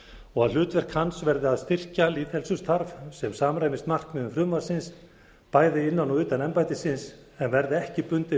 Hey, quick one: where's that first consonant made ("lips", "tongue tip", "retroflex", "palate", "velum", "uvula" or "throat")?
velum